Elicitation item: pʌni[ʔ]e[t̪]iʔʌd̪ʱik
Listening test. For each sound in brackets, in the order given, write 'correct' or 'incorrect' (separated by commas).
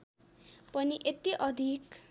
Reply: correct, correct